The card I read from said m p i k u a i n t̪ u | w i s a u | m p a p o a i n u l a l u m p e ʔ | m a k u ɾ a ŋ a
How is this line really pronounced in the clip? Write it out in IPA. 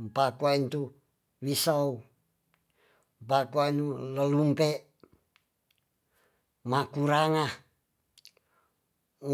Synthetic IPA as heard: m p a k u a i n t̪ u | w i s a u | m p a k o a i n u l ə l u m p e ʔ | m a k u ɾ a ŋ a